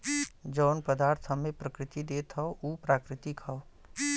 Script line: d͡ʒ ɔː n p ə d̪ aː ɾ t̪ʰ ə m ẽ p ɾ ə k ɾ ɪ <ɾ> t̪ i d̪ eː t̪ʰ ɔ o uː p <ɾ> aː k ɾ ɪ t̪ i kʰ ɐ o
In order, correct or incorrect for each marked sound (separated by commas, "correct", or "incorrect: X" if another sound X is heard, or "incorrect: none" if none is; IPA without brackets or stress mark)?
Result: incorrect: none, correct